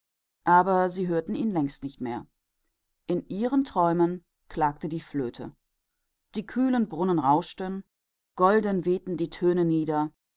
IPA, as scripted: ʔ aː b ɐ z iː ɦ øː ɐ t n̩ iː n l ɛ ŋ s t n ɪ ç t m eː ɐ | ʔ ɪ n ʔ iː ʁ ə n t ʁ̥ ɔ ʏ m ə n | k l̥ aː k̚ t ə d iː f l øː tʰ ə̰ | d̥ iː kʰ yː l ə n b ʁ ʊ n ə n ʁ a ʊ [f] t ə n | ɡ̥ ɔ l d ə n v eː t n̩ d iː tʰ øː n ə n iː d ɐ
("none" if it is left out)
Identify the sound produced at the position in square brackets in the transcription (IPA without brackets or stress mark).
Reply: ʃ